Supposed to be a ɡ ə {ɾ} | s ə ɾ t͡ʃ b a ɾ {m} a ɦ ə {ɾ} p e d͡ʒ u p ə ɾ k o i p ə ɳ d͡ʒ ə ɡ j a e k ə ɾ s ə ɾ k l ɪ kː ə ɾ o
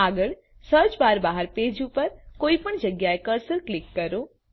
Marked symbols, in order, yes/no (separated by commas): no, no, yes